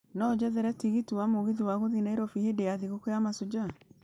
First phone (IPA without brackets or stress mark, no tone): n